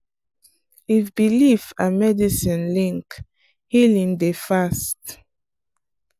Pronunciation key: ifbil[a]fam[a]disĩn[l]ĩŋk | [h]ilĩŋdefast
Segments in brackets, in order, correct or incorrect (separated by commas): incorrect, incorrect, correct, correct